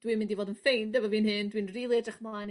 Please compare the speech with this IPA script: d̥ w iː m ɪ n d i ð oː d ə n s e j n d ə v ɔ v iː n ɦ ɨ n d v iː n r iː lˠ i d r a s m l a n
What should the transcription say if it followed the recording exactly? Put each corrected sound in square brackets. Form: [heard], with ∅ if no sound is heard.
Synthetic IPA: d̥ w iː m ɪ n d i [v] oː d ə n [f] e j n d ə v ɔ v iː n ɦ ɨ n d [w] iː n r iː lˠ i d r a [χ] m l a n